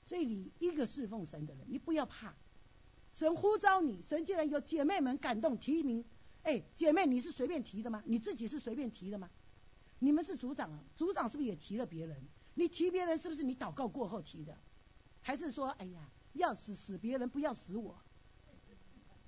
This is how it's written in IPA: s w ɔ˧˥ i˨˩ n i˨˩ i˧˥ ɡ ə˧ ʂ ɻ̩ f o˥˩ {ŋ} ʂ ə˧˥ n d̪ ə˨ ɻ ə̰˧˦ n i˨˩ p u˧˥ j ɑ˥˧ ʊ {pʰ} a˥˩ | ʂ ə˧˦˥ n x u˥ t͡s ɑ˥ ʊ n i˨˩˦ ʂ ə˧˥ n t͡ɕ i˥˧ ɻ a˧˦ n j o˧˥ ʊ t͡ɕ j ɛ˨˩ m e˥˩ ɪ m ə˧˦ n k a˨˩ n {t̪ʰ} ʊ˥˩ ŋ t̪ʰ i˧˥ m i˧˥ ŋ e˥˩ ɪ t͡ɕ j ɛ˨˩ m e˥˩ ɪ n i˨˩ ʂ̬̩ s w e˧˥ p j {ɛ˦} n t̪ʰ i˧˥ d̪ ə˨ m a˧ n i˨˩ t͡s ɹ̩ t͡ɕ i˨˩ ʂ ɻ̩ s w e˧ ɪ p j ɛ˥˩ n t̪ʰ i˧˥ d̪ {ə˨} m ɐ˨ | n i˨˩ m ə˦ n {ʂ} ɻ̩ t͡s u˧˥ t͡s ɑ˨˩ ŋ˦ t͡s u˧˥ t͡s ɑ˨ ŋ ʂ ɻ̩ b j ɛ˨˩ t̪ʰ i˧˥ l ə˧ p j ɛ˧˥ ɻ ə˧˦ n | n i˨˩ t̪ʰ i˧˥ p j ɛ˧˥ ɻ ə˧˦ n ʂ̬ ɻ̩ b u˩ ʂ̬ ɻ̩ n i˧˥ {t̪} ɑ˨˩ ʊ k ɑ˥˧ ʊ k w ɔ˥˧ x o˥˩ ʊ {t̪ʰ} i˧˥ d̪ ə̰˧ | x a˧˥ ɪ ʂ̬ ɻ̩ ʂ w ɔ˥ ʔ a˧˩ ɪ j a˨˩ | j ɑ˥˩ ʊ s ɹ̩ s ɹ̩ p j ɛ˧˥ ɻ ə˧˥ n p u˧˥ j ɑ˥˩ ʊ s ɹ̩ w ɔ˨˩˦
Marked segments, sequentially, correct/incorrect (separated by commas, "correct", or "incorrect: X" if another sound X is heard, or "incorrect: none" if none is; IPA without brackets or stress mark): correct, correct, incorrect: t̪, incorrect: ɛ˥˩, correct, correct, correct, correct